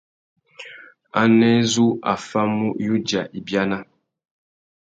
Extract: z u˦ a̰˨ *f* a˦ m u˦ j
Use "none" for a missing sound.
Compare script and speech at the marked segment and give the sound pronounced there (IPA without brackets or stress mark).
f